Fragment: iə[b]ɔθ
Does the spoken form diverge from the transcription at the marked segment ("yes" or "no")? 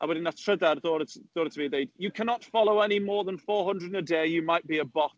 no